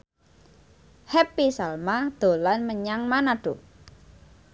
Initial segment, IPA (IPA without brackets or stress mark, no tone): h